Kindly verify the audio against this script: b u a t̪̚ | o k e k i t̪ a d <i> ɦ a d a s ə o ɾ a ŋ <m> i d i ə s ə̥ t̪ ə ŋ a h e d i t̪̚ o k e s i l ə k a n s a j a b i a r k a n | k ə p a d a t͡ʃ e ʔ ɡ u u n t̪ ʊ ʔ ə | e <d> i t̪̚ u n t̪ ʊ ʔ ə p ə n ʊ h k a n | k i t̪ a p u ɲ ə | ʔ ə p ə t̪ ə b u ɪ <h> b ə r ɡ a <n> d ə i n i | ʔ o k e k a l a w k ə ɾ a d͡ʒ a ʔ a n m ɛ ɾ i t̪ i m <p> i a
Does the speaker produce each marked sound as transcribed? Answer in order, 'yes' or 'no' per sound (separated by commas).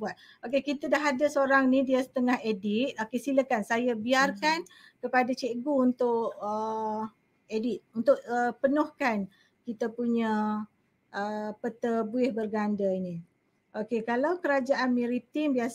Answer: no, no, yes, yes, yes, no